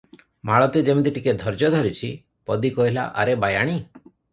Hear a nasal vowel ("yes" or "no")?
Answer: no